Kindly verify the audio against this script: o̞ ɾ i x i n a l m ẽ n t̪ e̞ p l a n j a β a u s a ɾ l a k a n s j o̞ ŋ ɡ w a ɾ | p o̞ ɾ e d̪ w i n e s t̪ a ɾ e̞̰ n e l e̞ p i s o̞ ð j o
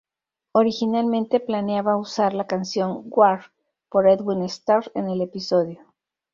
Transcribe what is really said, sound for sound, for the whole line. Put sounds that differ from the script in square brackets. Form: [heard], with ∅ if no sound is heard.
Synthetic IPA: o̞ ɾ i x i n a l m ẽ n t̪ e̞ p l a n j a β a u s a ɾ l a k a n s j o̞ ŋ ɡ w a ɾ | p o̞ ɾ e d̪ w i n e s t̪ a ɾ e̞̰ n e l e̞ p i s o̞ ð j o